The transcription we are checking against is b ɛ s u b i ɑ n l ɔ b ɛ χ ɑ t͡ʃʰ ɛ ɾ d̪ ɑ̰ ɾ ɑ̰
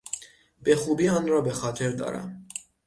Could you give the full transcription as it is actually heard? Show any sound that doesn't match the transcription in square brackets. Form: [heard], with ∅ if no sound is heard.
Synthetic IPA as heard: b ɛ [χ] u b i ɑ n [ɾ] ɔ b ɛ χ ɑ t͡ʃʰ ɛ ɾ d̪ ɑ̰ ɾ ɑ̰